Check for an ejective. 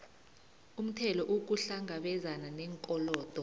present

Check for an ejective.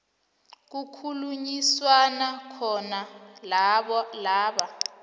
absent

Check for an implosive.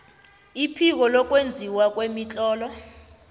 absent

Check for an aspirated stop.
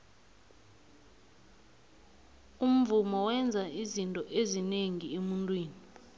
absent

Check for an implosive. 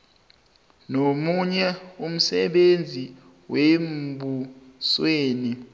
present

